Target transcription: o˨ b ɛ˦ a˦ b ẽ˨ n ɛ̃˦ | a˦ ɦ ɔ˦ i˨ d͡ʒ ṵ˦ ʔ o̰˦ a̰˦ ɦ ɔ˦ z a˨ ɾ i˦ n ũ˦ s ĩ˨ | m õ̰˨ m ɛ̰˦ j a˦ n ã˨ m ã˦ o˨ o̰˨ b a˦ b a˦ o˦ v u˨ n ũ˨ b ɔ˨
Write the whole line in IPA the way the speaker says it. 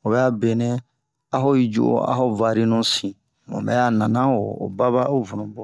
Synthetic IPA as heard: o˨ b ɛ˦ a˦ b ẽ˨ n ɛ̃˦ | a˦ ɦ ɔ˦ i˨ d͡ʒ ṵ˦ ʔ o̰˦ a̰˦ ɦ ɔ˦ v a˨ ɾ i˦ n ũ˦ s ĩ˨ | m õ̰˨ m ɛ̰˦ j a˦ n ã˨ n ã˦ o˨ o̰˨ b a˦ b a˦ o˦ v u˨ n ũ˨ b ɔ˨